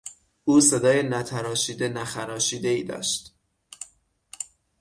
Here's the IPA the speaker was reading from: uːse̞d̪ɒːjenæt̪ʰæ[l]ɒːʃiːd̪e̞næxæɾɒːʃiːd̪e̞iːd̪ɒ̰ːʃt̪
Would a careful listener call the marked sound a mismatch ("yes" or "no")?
yes